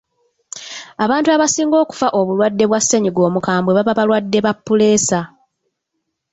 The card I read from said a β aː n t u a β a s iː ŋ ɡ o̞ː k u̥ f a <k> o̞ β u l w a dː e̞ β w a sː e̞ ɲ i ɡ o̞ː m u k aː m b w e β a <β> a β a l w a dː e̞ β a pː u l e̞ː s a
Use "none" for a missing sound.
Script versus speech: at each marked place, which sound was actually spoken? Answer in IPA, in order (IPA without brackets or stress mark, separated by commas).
ʔ, β